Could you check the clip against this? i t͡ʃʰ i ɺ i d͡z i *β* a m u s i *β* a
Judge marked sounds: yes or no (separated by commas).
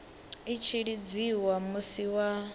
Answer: no, no